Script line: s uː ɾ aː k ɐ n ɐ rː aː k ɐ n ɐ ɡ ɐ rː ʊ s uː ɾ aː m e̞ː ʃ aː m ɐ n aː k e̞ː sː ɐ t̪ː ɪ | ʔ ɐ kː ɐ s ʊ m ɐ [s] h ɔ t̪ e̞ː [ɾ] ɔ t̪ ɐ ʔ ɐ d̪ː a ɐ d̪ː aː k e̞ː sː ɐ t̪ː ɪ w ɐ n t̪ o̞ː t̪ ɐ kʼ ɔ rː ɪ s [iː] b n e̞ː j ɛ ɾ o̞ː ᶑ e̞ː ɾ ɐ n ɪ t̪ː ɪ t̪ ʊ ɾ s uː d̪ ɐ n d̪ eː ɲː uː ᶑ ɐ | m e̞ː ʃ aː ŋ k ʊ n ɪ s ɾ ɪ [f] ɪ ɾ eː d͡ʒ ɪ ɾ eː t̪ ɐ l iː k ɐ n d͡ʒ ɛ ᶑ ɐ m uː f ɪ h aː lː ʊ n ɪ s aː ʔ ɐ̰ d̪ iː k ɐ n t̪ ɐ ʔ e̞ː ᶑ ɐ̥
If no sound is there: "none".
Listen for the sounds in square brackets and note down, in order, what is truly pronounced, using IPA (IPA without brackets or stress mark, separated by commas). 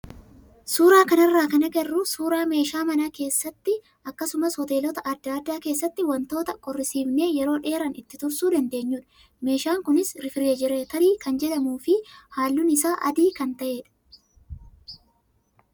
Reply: s, l, iː, f